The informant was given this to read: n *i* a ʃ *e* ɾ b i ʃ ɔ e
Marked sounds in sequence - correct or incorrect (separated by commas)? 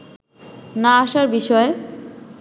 incorrect, incorrect